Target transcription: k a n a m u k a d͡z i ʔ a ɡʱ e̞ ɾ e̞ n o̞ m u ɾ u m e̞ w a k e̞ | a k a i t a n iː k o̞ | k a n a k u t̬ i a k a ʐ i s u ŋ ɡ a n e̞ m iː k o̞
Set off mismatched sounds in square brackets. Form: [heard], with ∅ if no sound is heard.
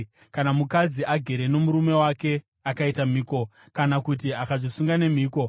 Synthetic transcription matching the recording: k a n a m u k a d͡z i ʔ a ɡʱ e̞ ɾ e̞ n o̞ m u ɾ u m e̞ w a k e̞ | a k a i t a [m] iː k o̞ | k a n a k u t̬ i a k a ʐ i s u ŋ ɡ a n e̞ m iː k o̞

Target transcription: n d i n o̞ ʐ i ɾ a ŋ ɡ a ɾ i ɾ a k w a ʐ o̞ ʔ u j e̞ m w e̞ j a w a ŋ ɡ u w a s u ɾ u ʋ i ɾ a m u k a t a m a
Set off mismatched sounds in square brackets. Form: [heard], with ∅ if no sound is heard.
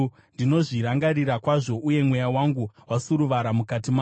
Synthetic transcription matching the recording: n d i n o̞ ʐ i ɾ a ŋ ɡ a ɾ i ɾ a k w a ʐ o̞ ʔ u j e̞ m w e̞ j a w a ŋ ɡ u w a s u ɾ u ʋ [a] ɾ a m u k a t [i] m a

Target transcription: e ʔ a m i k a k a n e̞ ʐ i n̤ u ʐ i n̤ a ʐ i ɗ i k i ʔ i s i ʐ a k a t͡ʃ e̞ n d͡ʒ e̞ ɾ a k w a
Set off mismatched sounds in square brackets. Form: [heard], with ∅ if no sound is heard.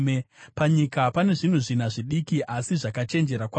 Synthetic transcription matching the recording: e [p] a [ɲ] i k a [p] a n e̞ ʐ i n̤ u ʐ i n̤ a ʐ i ɗ i k i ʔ [a] s i ʐ a k a t͡ʃ e̞ n d͡ʒ e̞ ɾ a k w a

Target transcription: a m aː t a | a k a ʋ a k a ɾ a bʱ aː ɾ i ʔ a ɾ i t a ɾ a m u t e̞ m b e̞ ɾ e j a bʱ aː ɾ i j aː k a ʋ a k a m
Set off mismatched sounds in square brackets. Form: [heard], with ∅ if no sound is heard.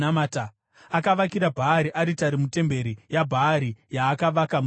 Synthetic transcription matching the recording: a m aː t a | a k a ʋ a k [i] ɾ a bʱ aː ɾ i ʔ a ɾ i t a ɾ [i] m u t e̞ m b e̞ ɾ [i] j a bʱ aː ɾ i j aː k a ʋ a k a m

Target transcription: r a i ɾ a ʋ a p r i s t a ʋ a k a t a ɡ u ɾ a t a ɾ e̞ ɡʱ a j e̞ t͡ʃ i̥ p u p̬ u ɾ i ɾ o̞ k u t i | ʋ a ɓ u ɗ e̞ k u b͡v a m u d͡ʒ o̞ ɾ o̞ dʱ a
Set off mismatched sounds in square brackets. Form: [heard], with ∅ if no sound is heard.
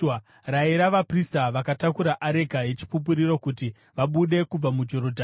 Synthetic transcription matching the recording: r a i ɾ a ʋ a p r i s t a ʋ a k a t a [k] u ɾ a [ʔ] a ɾ e̞ ɡʱ a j e̞ t͡ʃ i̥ p u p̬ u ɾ i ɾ o̞ k u t i | ʋ a ɓ u ɗ e̞ k u b͡v a m u d͡ʒ o̞ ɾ o̞ dʱ a

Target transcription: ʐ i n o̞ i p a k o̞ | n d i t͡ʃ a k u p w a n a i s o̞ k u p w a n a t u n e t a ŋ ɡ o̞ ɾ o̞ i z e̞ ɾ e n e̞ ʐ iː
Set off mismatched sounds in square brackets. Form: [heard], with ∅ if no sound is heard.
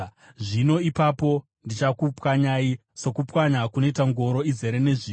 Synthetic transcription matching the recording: ʐ i n o̞ i p a [p] o̞ | n d i t͡ʃ a k u p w a [ɲ] a i s o̞ k u p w a [ɲ] a [k] u n e t a ŋ ɡ o̞ ɾ o̞ i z e̞ ɾ e n e̞ ʐ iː

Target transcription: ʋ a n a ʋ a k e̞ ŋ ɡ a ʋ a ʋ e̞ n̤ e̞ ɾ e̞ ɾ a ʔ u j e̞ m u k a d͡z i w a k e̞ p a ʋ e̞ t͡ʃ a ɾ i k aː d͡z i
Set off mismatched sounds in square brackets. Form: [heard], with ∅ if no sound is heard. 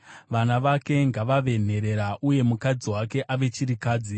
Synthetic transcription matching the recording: ʋ a n a ʋ a k e̞ ŋ ɡ a ʋ a ʋ e̞ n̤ e̞ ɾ e̞ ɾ a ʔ u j e̞ m u k a d͡z i w a k e̞ [ʔ] a ʋ e̞ t͡ʃ [i] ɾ i k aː d͡z i

